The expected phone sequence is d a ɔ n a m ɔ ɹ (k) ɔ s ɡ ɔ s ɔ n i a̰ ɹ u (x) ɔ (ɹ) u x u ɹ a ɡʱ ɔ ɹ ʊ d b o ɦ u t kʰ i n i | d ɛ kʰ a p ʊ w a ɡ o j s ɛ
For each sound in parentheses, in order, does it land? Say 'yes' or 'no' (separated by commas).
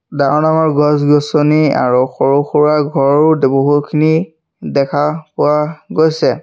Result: no, yes, yes